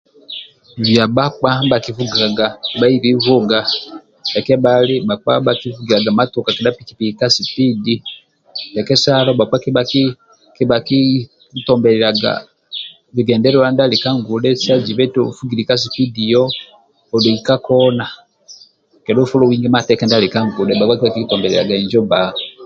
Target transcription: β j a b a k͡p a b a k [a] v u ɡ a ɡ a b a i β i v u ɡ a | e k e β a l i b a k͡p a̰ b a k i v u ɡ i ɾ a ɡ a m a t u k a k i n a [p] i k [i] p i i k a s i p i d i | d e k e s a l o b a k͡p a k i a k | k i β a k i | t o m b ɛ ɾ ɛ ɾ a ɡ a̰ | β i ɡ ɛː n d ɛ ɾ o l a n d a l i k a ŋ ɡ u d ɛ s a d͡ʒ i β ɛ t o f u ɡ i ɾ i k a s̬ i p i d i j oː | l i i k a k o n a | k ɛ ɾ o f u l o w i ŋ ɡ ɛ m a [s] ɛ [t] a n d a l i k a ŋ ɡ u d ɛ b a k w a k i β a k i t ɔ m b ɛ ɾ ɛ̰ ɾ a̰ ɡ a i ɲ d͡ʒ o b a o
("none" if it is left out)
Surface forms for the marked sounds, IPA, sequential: i, p, i, t, k

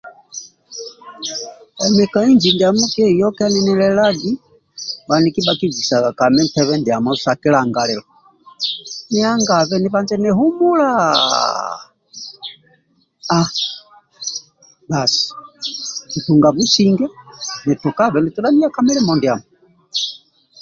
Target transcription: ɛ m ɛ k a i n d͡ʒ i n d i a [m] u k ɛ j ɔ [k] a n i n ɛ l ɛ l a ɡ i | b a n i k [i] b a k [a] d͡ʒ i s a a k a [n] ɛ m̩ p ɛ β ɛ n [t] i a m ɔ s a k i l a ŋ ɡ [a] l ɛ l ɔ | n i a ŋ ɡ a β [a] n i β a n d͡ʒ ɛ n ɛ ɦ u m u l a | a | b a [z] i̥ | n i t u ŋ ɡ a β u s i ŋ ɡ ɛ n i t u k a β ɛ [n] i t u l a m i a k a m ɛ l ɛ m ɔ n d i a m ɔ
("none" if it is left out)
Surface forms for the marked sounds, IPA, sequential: m, k, i, i, m, d, a, ɛ, s, n

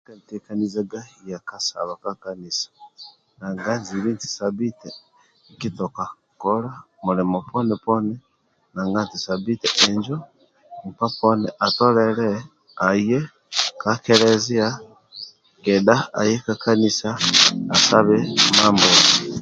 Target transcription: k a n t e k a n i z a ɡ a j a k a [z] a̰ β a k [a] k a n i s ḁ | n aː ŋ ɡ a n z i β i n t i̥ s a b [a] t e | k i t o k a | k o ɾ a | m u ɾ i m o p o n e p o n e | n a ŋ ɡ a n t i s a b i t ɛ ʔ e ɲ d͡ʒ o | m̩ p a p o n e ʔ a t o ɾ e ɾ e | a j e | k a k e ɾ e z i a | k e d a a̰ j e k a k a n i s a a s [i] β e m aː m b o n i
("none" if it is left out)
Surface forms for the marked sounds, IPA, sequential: s, a, i, a

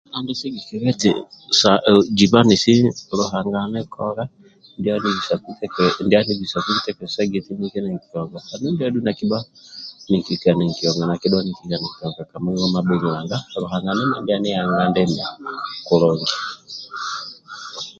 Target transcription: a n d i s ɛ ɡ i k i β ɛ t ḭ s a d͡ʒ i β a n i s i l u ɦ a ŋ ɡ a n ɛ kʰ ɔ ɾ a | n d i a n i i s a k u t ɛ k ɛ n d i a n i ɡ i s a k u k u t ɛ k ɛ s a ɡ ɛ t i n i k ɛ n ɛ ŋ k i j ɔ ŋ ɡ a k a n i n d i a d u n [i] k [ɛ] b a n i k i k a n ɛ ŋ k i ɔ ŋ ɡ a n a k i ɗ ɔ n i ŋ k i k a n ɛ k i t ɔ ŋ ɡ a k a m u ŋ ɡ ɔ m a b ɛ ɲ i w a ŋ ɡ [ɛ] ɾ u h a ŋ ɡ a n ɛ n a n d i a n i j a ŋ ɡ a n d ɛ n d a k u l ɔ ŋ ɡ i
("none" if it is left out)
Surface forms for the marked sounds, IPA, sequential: a, i, a

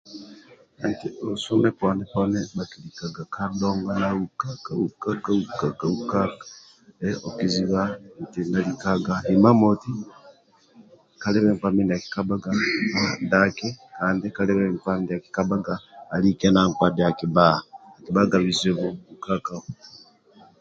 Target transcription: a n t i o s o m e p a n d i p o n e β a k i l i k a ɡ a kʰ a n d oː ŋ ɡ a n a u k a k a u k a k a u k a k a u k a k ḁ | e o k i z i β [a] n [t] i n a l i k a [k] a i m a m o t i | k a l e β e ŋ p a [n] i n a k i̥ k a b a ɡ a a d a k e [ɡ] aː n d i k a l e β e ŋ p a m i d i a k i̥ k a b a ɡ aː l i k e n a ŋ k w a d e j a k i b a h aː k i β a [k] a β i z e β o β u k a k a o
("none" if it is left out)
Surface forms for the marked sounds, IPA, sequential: a, t, ɡ, m, k, ɡ

